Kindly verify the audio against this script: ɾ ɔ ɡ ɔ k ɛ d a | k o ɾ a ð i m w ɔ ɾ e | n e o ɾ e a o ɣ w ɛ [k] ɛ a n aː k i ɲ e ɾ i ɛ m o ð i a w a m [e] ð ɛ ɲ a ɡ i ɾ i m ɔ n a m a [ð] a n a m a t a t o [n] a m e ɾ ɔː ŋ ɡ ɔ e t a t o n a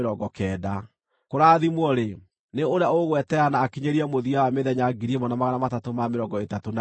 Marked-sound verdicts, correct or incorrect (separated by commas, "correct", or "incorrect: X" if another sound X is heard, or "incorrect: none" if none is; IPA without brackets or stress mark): incorrect: t, correct, incorrect: ɣ, incorrect: m